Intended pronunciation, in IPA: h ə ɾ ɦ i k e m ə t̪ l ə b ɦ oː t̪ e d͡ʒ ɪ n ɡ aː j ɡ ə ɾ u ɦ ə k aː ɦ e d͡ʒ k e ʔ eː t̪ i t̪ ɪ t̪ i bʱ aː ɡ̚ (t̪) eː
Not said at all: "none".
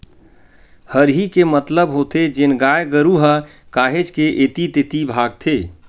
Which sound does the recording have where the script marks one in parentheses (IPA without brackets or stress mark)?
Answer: t̪ʰ